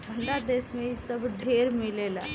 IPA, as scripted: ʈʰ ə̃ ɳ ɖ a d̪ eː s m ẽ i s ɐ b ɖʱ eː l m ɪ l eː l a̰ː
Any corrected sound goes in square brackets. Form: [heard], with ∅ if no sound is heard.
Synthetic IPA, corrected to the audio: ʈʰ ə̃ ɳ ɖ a d̪ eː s m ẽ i s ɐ b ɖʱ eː [ɾ] m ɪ l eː l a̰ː